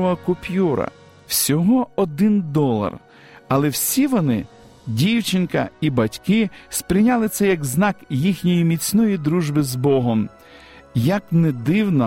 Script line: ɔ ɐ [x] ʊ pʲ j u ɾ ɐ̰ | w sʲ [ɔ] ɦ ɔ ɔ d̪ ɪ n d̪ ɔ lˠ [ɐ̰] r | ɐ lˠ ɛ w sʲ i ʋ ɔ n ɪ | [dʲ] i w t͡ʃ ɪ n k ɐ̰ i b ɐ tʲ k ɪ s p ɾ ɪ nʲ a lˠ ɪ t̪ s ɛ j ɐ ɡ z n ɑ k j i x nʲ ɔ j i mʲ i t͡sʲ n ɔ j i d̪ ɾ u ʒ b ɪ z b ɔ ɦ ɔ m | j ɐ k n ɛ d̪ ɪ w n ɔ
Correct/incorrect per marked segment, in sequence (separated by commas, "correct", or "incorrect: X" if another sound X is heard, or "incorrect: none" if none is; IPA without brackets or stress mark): incorrect: k, correct, correct, correct